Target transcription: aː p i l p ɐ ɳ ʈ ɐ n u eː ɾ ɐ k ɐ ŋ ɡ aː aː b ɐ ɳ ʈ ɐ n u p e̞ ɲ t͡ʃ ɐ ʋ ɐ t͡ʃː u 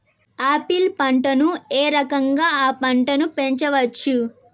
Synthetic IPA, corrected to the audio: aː p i l p ɐ ɳ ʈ ɐ n u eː ɾ ɐ k ɐ ŋ ɡ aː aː p ɐ ɳ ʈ ɐ n u p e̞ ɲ t͡ʃ ɐ ʋ ɐ t͡ʃː u